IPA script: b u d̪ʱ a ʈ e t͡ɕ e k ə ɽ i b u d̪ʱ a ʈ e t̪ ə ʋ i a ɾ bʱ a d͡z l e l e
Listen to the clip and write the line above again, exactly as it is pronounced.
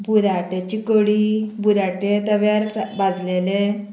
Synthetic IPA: b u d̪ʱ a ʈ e t͡ɕ i k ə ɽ i b u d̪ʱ a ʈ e t̪ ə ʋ j a ɾ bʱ a d͡z l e l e